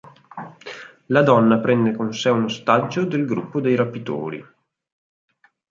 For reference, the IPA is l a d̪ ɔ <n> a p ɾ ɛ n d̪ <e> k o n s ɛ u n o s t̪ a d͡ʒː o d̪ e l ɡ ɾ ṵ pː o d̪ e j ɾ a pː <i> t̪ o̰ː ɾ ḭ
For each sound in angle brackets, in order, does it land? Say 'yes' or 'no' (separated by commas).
no, yes, yes